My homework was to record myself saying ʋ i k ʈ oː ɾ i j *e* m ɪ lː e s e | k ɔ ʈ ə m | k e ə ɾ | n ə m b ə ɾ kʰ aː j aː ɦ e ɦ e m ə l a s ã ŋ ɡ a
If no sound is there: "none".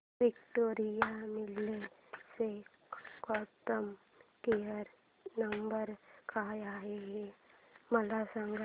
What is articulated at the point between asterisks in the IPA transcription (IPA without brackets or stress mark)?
a